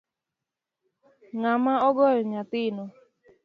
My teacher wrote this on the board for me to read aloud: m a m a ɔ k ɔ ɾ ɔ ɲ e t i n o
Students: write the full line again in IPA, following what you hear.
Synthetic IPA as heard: ŋ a m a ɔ ɡ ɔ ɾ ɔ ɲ a t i n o